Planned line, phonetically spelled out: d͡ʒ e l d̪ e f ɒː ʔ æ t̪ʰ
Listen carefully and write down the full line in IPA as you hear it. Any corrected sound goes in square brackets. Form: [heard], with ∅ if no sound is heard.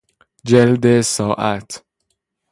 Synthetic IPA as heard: d͡ʒ e l d̪ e [s] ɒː ʔ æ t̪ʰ